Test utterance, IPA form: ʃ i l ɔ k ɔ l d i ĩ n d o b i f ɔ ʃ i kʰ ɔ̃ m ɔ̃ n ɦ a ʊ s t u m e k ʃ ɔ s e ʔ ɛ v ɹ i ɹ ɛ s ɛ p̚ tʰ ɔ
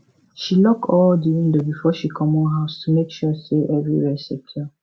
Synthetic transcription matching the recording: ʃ i l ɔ k ɔ l d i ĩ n d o b i f ɔ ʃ i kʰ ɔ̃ m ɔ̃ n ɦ a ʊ s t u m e k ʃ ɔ s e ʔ ɛ v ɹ i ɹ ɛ s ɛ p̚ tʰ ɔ